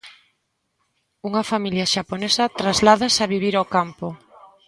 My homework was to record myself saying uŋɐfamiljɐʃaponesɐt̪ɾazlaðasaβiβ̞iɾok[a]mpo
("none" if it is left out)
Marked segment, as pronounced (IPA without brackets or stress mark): a